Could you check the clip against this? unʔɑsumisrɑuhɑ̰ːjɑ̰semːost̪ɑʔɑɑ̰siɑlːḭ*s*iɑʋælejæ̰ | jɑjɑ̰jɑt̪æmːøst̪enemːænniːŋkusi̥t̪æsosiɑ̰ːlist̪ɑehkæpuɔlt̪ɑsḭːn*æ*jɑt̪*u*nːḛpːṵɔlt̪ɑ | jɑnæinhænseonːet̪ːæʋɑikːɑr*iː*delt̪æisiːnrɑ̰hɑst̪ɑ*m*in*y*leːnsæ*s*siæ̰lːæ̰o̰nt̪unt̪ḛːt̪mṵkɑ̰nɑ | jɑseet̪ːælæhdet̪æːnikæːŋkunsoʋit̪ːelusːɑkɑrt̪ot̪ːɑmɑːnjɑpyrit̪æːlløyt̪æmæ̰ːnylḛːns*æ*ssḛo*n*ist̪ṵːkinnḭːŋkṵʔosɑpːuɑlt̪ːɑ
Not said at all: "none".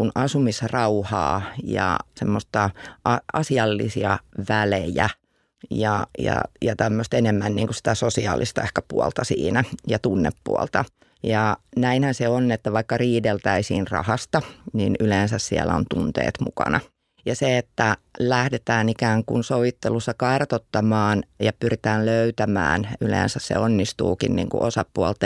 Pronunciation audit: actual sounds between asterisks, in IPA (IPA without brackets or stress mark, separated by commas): s, æ, u, iː, n, y, s, æ, nː